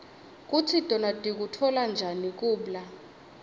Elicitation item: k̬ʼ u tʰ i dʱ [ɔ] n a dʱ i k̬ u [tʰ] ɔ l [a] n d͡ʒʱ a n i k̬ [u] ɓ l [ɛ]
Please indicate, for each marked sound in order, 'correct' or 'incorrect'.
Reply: correct, correct, correct, incorrect: uː, incorrect: a

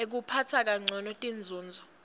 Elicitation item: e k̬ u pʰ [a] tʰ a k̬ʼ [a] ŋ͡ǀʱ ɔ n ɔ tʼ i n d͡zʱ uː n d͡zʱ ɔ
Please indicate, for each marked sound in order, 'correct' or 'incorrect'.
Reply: correct, correct

